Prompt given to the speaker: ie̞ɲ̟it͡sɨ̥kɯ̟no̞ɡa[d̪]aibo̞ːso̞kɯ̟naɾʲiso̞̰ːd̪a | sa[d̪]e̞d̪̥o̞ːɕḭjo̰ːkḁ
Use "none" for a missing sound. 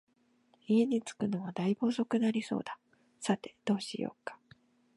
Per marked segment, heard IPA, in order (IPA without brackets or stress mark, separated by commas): d̪, t̪